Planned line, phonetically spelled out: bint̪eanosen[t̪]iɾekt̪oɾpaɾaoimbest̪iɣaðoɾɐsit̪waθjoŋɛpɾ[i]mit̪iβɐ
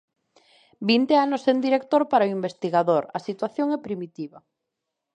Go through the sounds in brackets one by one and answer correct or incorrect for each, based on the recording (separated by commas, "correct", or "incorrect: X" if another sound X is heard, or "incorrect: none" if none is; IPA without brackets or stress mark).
incorrect: d̪, correct